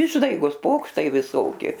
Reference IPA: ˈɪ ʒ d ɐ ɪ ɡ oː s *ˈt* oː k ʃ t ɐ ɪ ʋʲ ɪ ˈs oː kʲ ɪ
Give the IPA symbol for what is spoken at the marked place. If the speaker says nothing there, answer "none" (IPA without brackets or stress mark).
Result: p